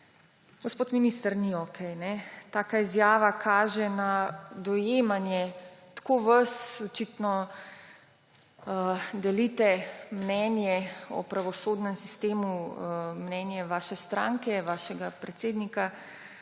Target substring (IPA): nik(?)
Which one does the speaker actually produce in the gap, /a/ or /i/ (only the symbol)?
a